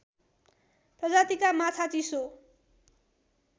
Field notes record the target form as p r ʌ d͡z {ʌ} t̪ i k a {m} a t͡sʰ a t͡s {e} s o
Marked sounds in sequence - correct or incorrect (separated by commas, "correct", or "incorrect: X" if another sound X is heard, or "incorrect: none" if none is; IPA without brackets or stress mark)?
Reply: incorrect: a, correct, incorrect: i